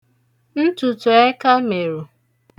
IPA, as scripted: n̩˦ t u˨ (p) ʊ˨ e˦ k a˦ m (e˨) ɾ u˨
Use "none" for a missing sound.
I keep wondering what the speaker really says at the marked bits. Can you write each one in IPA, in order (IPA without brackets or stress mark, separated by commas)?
t, e˨